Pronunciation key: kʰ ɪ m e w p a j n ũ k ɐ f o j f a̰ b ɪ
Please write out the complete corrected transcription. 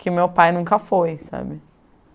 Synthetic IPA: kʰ ɪ m e w p a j n ũ k ɐ f o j s a̰ b ɪ